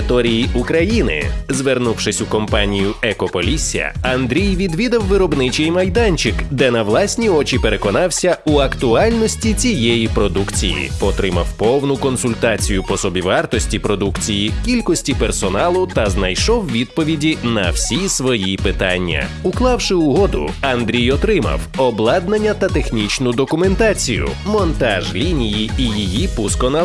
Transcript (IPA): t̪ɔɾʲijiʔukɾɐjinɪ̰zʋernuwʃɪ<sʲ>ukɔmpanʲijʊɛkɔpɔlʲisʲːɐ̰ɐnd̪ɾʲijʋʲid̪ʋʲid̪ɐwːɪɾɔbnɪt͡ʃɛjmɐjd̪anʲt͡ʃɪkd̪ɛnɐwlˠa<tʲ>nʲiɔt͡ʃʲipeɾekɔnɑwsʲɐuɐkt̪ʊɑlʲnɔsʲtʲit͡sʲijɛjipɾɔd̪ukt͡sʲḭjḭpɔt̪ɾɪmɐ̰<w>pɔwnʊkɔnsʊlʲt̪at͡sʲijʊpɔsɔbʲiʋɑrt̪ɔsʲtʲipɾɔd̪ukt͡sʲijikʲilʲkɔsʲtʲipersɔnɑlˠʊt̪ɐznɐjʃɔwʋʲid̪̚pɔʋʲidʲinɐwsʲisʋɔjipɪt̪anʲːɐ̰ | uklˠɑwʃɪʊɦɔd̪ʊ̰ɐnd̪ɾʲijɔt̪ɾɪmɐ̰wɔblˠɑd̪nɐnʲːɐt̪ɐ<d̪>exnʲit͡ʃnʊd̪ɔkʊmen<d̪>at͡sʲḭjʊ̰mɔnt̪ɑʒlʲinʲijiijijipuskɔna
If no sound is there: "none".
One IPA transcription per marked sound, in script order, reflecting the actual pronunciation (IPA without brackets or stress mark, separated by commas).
sʲ, sʲ, w, t̪, t̪